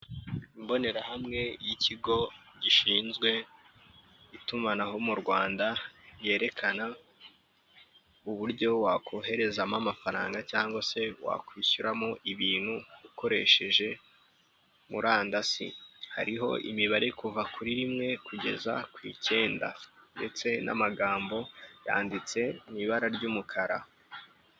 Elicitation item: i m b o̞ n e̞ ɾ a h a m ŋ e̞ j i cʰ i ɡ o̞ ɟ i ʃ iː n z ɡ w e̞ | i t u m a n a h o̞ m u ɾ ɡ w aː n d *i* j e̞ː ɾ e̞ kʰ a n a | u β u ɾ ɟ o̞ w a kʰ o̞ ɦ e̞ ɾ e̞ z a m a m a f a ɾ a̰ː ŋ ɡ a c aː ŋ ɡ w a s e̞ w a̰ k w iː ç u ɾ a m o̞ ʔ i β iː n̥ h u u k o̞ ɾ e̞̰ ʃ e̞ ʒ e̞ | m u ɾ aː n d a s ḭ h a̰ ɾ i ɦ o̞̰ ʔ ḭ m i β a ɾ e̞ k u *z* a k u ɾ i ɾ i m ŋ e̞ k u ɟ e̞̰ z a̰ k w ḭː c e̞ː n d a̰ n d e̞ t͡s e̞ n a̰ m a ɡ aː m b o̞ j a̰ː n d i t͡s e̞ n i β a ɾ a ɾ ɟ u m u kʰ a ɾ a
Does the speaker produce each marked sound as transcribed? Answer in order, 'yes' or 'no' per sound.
no, no

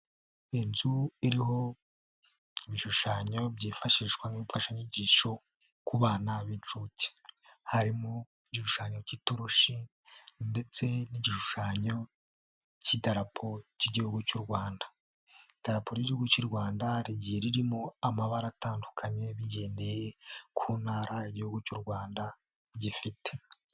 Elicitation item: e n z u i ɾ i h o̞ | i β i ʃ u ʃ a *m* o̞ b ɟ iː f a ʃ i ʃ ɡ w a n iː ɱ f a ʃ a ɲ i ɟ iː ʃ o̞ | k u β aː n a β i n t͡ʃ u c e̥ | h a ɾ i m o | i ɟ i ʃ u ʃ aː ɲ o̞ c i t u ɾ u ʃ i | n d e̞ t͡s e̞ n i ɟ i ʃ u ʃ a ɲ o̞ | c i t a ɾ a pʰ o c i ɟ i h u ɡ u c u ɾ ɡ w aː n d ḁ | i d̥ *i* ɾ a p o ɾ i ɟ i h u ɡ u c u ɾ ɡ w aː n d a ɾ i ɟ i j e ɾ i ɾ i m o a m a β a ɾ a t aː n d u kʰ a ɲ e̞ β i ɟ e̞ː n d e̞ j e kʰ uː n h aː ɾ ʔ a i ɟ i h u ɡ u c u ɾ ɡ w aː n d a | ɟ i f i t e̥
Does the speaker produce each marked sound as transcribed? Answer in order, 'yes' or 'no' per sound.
no, no

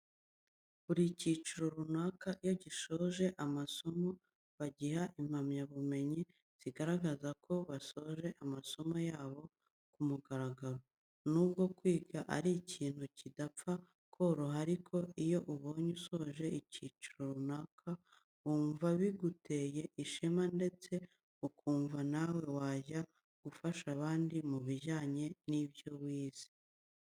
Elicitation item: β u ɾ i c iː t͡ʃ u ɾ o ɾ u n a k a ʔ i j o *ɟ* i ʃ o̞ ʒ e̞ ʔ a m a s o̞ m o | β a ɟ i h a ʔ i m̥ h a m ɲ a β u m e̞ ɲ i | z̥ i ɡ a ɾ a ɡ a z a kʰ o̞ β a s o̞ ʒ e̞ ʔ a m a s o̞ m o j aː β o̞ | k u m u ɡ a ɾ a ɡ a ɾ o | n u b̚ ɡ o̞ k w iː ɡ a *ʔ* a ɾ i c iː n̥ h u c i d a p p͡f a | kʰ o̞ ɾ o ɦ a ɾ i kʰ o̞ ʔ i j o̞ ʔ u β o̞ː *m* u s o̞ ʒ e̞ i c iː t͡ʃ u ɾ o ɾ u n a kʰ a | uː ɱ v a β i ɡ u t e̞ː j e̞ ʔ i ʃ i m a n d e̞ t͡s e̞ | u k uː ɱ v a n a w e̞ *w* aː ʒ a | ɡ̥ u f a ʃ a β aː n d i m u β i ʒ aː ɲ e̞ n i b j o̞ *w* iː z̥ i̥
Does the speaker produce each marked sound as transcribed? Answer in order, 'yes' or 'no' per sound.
yes, yes, no, yes, yes

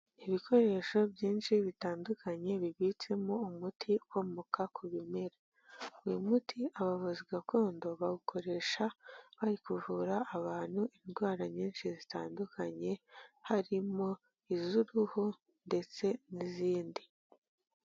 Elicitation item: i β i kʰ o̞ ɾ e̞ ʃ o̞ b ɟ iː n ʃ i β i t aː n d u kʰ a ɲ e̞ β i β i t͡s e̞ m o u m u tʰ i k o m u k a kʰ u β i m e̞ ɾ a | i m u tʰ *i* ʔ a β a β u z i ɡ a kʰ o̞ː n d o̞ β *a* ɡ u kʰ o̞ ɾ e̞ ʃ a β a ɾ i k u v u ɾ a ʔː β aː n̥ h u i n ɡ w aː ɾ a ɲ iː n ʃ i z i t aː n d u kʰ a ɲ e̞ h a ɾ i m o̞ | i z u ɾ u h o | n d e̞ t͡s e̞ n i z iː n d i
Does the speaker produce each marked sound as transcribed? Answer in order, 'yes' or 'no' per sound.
yes, yes

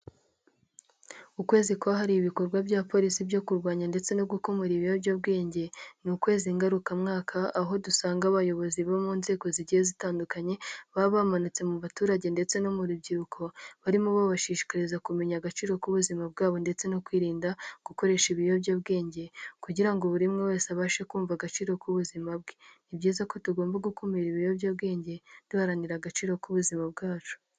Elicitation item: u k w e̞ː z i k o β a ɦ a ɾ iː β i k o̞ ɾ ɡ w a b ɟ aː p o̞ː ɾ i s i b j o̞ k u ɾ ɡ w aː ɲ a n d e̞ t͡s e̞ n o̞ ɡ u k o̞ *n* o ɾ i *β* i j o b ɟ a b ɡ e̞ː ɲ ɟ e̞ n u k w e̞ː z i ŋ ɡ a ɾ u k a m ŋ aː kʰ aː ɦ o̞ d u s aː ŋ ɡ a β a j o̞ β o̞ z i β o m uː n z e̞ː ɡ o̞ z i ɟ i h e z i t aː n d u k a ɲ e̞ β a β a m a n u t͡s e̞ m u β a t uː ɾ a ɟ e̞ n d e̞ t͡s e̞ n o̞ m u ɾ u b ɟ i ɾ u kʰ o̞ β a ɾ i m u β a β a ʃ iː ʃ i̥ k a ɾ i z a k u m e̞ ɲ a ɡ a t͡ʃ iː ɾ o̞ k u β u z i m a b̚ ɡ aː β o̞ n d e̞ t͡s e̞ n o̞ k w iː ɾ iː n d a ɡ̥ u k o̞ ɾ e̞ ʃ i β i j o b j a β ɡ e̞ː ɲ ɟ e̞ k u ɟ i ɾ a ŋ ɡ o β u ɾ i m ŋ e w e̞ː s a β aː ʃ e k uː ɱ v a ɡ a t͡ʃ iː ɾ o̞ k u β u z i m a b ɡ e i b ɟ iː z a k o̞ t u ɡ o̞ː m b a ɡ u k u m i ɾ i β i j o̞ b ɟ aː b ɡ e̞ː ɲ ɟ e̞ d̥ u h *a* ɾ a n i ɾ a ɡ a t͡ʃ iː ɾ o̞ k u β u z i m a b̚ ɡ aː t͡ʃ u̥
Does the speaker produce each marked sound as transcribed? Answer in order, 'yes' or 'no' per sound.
no, yes, yes

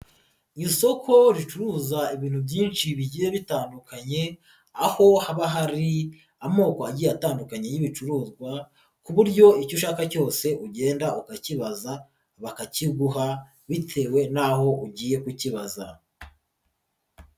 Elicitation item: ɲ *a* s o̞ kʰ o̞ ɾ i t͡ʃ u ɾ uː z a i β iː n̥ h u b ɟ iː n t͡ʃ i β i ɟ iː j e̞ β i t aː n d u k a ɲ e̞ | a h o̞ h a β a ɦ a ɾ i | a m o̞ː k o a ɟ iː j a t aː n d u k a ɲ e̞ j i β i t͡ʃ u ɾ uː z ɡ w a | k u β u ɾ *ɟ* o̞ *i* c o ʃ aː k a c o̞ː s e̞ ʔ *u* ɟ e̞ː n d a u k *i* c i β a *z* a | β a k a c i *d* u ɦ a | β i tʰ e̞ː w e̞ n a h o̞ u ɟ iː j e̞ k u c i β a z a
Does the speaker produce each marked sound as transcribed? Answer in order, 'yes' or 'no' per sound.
no, yes, yes, yes, no, yes, no

